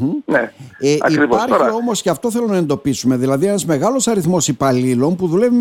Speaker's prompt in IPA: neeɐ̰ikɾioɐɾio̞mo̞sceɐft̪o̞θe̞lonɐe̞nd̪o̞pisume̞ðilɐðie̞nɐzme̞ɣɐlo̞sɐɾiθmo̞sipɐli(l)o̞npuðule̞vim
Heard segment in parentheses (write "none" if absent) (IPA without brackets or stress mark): l